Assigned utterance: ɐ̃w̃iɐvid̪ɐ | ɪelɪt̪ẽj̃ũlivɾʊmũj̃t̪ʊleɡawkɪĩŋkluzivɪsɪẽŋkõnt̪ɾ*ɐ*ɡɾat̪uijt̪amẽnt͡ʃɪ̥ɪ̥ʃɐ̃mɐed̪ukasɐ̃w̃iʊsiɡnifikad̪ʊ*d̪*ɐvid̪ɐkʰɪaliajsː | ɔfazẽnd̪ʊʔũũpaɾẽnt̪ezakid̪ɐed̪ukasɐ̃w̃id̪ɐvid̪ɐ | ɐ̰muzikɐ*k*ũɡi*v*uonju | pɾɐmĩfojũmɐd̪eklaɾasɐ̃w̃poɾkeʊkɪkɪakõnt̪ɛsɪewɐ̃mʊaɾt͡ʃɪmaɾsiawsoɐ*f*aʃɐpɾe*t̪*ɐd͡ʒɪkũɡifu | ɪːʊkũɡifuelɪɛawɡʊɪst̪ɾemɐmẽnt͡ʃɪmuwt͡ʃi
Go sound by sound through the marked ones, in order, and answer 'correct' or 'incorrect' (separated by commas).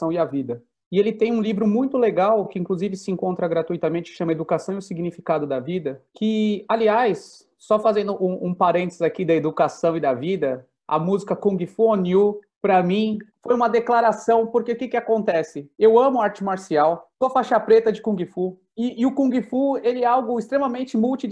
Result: correct, correct, correct, incorrect, correct, correct